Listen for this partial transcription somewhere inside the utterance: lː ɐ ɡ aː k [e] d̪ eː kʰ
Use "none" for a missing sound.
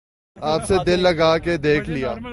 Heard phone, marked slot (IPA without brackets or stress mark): e